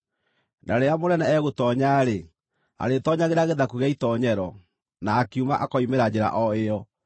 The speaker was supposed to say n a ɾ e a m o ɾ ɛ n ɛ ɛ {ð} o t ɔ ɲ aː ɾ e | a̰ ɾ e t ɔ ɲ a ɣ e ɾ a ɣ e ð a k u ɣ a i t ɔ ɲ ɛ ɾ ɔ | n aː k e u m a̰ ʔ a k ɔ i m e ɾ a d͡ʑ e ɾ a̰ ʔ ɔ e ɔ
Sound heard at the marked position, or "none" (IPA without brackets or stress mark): ɣ